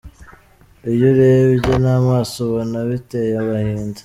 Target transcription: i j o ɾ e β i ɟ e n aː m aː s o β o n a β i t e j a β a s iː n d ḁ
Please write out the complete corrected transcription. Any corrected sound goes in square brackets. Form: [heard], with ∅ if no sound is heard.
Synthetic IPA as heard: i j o ɾ e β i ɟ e n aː m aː s o β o n a β i t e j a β a [h] iː n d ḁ

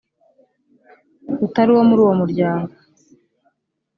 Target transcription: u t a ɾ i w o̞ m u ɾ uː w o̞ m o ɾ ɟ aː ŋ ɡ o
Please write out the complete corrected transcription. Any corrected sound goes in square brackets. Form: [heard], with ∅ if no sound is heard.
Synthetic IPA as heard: u t a ɾ i w o̞ m u ɾ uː w o̞ m [u] ɾ ɟ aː ŋ ɡ o

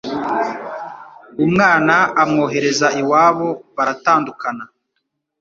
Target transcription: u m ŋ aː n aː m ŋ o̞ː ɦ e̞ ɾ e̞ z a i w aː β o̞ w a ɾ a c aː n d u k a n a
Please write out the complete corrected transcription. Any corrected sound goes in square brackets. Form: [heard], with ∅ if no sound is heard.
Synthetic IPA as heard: u m ŋ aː n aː m ŋ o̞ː ɦ e̞ ɾ e̞ z a i w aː β o̞ [β] a ɾ a [t] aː n d u k a n a

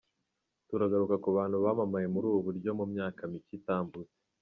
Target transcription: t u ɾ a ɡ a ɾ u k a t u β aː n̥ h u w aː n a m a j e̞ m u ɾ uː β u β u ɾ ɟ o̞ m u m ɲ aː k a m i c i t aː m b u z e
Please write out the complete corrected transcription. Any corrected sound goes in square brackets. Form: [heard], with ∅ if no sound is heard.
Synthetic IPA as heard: t u ɾ a ɡ a ɾ u k a [k] u β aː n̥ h u [β] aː [m] a m a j e̞ m u ɾ uː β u β u ɾ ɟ o̞ m u m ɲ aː k a m i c i t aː m b u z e

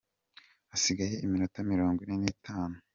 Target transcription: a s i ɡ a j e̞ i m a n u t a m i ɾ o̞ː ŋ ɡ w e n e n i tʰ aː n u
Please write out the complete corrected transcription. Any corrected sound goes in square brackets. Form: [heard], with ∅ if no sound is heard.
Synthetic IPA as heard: a s i ɡ a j e̞ i m [i] n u t a m i ɾ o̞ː ŋ ɡ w [i] n e n i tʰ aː n u

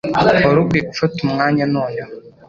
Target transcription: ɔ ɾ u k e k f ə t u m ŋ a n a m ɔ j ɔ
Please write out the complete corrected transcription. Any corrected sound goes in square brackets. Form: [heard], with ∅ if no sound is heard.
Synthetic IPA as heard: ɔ ɾ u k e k f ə t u m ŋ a [ɲ] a [n] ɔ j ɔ

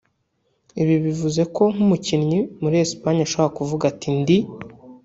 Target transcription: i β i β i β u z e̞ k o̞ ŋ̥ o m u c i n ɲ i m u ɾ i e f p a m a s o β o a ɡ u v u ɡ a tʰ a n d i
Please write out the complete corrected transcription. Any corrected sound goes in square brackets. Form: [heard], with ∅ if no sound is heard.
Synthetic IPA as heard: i β i β i [v] u z e̞ k o̞ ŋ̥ [u] m u c i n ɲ i m u ɾ i e [s] p a [ɲ] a [ʃ] o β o a [k] u v u ɡ a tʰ [i] n d i

